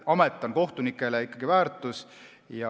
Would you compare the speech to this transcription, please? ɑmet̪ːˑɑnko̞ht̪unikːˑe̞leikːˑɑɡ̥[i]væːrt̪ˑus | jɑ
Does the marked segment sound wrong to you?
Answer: no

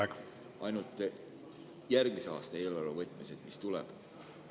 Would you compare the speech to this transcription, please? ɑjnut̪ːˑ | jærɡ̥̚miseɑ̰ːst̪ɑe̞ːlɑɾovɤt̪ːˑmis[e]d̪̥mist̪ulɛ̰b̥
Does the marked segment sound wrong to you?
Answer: no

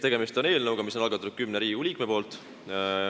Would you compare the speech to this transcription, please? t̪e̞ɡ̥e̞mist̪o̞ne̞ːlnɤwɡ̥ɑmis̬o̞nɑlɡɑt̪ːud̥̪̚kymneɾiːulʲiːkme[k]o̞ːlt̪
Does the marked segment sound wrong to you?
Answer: yes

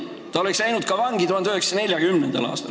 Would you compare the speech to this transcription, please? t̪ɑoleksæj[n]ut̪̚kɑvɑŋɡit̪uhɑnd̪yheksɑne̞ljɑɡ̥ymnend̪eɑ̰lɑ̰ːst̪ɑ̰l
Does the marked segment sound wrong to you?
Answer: no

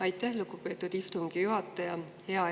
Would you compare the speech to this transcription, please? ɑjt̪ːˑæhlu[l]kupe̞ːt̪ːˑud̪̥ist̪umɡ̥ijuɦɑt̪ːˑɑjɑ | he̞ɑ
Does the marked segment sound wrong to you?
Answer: yes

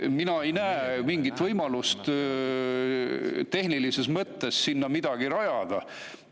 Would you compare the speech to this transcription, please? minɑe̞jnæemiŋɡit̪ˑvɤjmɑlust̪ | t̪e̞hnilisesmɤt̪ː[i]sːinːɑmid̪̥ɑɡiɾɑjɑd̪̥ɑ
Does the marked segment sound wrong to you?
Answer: yes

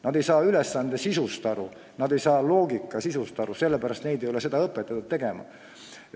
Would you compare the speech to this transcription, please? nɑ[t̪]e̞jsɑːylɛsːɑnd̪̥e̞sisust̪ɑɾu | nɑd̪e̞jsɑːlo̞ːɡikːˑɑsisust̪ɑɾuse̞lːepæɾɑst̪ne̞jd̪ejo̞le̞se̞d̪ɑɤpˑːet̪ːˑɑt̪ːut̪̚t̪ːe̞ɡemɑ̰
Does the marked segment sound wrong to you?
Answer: yes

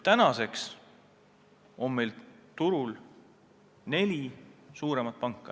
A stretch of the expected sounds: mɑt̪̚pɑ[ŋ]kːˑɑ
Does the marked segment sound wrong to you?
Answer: no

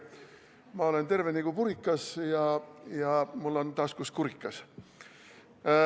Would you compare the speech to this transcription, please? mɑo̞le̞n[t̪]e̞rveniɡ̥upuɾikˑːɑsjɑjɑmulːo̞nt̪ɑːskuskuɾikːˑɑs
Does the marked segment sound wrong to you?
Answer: no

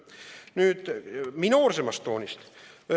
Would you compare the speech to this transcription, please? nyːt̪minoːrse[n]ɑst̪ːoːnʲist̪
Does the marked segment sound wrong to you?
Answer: yes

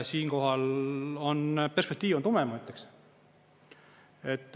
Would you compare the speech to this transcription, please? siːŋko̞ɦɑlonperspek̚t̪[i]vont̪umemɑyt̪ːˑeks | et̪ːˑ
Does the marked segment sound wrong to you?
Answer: yes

